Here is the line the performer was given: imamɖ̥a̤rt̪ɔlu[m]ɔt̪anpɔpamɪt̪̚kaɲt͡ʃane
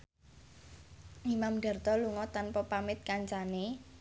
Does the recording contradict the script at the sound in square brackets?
yes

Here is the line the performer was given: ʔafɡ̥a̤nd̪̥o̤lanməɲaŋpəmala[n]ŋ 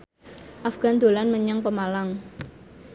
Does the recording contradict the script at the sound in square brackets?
yes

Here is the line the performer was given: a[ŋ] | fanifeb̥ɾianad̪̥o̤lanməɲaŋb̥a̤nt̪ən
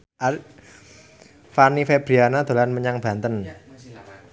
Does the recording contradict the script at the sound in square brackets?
yes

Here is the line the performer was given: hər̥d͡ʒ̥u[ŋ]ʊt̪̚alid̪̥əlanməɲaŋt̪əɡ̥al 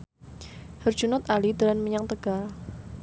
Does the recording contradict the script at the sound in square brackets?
yes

